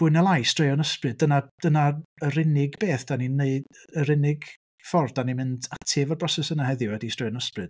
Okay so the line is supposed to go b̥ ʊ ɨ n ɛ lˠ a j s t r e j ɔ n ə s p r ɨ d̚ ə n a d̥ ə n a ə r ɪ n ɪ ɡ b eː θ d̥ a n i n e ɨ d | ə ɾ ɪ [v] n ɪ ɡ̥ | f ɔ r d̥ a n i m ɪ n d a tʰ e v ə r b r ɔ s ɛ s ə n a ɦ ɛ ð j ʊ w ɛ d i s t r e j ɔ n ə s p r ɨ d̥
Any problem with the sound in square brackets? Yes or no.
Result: yes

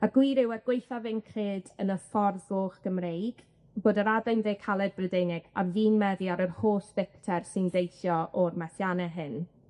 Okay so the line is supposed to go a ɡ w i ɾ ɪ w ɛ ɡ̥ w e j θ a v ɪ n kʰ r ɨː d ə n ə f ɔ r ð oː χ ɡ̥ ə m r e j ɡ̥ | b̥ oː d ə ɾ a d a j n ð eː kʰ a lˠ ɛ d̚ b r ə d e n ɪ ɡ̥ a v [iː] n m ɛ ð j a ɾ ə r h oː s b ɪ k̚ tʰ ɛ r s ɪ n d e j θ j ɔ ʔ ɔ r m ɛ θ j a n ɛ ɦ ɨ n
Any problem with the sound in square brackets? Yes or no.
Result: no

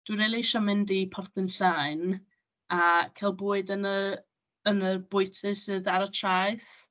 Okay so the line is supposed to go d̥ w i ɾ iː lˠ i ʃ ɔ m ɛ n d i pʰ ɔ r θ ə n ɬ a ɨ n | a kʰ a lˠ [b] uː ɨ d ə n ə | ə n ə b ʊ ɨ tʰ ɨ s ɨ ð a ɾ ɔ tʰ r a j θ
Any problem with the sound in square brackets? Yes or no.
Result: no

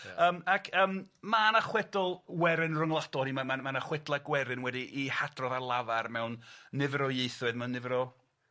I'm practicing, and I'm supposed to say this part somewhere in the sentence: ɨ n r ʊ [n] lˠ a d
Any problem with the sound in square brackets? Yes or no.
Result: yes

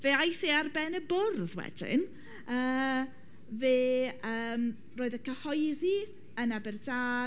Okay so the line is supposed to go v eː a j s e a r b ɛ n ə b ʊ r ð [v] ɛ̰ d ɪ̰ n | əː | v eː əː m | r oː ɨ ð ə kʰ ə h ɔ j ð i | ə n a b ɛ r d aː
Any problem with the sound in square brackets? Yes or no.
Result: yes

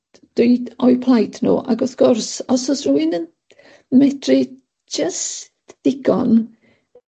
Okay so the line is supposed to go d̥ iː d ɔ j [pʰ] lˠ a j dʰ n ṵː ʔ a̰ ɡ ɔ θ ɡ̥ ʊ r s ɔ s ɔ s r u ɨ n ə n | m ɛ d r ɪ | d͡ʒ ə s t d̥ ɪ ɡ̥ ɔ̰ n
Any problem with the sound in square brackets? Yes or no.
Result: no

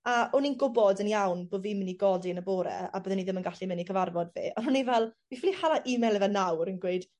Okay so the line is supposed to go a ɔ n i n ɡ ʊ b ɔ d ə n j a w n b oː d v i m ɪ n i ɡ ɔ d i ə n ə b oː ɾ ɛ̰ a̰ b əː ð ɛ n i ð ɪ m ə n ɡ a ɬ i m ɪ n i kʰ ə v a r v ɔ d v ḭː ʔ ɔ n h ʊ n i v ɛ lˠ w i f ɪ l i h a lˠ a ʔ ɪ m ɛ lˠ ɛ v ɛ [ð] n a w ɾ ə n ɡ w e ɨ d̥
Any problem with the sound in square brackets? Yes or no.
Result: yes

